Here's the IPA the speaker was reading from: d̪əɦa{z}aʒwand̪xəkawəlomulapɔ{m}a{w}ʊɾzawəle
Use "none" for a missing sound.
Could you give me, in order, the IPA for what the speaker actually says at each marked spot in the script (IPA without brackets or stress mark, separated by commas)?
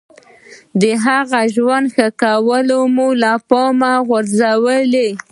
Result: ɣ, m, ɣ